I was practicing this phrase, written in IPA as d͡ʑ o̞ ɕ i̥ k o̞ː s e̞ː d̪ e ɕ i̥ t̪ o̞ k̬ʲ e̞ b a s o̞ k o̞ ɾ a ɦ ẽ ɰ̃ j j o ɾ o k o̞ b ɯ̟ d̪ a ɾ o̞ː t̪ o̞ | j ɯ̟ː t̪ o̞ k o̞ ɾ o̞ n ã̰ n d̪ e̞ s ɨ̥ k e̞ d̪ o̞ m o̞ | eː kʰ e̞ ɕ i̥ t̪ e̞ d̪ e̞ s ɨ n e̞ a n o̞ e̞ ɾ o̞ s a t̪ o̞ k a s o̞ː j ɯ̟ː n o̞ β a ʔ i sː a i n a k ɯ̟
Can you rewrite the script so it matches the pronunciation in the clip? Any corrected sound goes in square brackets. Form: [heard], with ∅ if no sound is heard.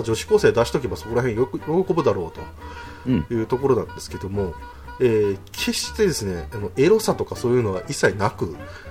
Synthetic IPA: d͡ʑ o̞ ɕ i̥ k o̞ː s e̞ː d̪ [a] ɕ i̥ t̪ o̞ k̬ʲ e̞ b a s o̞ k o̞ ɾ a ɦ ẽ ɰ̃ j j o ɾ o k o̞ b ɯ̟ d̪ a ɾ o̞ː t̪ o̞ | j ɯ̟ː t̪ o̞ k o̞ ɾ o̞ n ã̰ n d̪ e̞ s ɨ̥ k e̞ d̪ o̞ m o̞ | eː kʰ e̞ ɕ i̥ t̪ e̞ d̪ e̞ s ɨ n e̞ a n o̞ e̞ ɾ o̞ s a t̪ o̞ k a s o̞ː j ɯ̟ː n o̞ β a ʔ i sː a i n a k ɯ̟